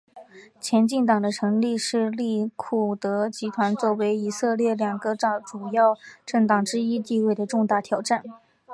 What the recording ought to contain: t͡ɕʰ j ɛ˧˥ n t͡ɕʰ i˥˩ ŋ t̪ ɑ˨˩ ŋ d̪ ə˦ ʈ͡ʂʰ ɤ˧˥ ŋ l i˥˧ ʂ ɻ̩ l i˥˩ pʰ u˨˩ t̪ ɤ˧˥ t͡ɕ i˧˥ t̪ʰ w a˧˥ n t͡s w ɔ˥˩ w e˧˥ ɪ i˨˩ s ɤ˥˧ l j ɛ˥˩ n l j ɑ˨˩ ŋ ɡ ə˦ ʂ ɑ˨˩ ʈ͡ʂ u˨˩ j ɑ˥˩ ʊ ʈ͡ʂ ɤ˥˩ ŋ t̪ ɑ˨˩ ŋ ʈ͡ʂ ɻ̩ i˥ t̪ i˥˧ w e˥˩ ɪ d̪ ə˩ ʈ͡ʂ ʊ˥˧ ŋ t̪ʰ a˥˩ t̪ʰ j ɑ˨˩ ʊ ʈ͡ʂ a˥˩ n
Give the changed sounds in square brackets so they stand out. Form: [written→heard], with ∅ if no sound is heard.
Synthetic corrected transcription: t͡ɕʰ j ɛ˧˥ n [t͡ɕʰ→t͡ɕ] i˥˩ ŋ t̪ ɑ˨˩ ŋ d̪ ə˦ ʈ͡ʂʰ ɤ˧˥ ŋ l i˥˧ ʂ ɻ̩ l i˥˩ [pʰ→kʰ] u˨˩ t̪ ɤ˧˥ t͡ɕ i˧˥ t̪ʰ w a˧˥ n t͡s w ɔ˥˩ w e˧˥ ɪ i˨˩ s ɤ˥˧ l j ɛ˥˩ [n→∅] l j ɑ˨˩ ŋ ɡ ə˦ [ʂ→ʈ͡ʂ] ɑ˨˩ ʈ͡ʂ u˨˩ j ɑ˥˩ ʊ ʈ͡ʂ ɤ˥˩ ŋ t̪ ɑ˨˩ ŋ ʈ͡ʂ ɻ̩ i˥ t̪ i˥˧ w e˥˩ ɪ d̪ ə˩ ʈ͡ʂ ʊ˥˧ ŋ [t̪ʰ→t̪] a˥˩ t̪ʰ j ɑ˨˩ ʊ ʈ͡ʂ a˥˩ n

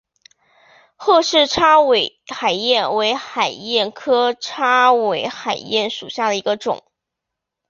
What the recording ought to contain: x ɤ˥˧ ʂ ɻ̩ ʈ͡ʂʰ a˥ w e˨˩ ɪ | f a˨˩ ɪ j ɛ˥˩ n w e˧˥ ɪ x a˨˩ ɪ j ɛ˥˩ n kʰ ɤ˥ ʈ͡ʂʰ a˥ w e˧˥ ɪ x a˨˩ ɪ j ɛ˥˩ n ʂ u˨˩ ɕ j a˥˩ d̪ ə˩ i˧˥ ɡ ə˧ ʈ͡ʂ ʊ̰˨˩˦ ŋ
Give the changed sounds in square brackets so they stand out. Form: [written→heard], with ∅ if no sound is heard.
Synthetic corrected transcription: x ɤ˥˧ ʂ ɻ̩ ʈ͡ʂʰ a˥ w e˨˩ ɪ | [f→x] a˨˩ ɪ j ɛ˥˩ n w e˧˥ ɪ x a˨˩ ɪ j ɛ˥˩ n kʰ ɤ˥ ʈ͡ʂʰ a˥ w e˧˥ ɪ x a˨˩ ɪ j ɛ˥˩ n ʂ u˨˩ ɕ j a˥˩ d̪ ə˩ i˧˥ ɡ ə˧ ʈ͡ʂ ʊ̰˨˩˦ ŋ

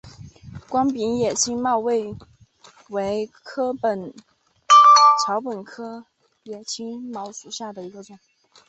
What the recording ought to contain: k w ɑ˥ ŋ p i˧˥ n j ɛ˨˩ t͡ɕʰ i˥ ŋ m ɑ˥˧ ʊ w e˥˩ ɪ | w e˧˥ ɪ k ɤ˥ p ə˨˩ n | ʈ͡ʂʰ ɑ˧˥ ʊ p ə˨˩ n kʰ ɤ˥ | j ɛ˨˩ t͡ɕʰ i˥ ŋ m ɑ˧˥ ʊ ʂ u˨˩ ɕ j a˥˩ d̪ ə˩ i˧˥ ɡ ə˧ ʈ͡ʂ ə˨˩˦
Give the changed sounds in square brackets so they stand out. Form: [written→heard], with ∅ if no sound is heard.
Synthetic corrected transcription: k w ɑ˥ ŋ p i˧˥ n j ɛ˨˩ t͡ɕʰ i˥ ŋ m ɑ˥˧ ʊ w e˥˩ ɪ | w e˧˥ ɪ [k→kʰ] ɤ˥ p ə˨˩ n | ʈ͡ʂʰ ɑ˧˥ ʊ p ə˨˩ n kʰ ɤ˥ | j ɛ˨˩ t͡ɕʰ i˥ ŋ m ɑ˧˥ ʊ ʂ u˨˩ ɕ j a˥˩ d̪ ə˩ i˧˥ ɡ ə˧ ʈ͡ʂ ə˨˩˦

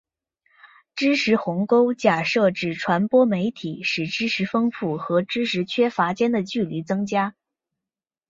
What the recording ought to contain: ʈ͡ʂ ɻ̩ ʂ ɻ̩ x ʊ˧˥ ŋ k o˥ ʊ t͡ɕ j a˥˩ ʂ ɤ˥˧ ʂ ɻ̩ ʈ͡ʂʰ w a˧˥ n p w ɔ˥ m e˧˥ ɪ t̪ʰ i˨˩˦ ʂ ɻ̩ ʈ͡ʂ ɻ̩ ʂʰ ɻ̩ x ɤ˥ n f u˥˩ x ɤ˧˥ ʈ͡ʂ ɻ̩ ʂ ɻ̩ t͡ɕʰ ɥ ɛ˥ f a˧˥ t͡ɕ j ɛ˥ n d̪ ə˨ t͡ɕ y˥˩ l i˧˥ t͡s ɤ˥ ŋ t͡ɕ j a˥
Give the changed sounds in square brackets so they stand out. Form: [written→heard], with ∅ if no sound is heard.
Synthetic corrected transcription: ʈ͡ʂ ɻ̩ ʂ ɻ̩ x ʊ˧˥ ŋ k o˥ ʊ t͡ɕ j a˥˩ ʂ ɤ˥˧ [ʂ→ʈ͡ʂ] ɻ̩ ʈ͡ʂʰ w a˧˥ n p w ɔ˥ m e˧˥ ɪ t̪ʰ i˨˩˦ ʂ ɻ̩ ʈ͡ʂ ɻ̩ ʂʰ ɻ̩ [x→f] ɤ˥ [n→ŋ] f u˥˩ x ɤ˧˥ ʈ͡ʂ ɻ̩ ʂ ɻ̩ t͡ɕʰ ɥ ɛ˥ f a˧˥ t͡ɕ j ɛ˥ n d̪ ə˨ t͡ɕ y˥˩ l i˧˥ t͡s ɤ˥ ŋ t͡ɕ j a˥

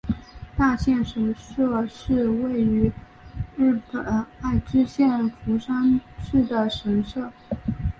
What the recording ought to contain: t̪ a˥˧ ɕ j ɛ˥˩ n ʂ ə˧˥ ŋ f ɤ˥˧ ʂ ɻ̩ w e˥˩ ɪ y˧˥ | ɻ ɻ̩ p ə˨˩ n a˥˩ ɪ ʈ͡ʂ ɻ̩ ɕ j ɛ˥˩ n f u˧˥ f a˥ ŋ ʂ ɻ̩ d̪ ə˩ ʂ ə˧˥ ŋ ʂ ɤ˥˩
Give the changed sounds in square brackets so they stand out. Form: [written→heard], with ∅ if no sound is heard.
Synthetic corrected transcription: t̪ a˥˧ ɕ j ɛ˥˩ n ʂ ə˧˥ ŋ [f→ʂ] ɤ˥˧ ʂ ɻ̩ w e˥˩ ɪ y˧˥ | ɻ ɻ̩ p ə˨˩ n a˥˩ ɪ ʈ͡ʂ ɻ̩ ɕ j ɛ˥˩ n f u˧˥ [f→ʂ] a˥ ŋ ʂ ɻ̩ d̪ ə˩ ʂ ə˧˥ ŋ ʂ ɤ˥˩

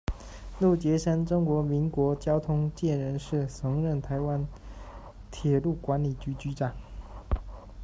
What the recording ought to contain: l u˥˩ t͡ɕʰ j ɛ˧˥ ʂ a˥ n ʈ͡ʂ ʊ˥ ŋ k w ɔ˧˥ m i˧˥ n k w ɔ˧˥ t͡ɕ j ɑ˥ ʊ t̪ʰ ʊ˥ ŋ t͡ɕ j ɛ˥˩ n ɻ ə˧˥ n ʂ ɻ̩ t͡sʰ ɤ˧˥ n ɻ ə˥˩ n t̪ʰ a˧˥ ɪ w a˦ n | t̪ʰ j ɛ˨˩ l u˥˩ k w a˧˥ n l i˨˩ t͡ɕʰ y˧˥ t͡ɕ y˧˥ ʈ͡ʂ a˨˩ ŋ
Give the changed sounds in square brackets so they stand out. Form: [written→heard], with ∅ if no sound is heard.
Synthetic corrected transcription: l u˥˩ [t͡ɕʰ→t͡ɕ] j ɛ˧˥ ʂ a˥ n ʈ͡ʂ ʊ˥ ŋ k w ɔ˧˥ m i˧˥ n k w ɔ˧˥ t͡ɕ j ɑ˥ ʊ t̪ʰ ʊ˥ ŋ t͡ɕ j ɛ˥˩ n ɻ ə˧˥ n ʂ ɻ̩ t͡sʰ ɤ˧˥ [n→ŋ] ɻ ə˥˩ n t̪ʰ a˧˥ ɪ w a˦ n | t̪ʰ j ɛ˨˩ l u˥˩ k w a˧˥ n l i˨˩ [t͡ɕʰ→t͡ɕ] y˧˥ t͡ɕ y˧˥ ʈ͡ʂ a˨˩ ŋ

